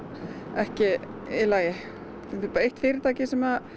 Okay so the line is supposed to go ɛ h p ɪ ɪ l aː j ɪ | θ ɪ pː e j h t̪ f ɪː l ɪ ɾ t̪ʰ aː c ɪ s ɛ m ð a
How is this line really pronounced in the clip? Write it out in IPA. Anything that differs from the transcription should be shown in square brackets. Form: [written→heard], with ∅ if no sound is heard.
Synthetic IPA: ɛ h [p→c] ɪ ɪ l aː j ɪ | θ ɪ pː e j h t̪ f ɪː [l→ɾ] ɪ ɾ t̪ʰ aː c ɪ s ɛ m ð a